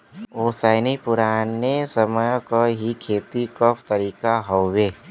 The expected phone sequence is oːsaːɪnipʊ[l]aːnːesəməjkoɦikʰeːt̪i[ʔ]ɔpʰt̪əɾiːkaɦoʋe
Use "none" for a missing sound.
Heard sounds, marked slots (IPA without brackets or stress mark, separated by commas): ɾ, k